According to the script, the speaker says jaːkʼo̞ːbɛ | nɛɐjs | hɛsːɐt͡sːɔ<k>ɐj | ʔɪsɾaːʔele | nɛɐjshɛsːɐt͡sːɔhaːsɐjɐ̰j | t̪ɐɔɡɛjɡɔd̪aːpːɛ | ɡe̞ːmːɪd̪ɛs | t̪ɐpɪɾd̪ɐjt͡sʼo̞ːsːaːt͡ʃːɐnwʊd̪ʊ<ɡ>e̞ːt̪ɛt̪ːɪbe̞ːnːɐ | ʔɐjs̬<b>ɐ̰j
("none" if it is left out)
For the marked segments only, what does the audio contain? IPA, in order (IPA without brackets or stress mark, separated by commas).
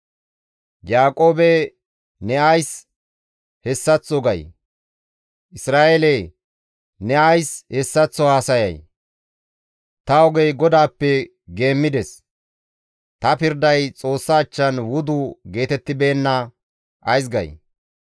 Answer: ɡ, ɡ, ɡ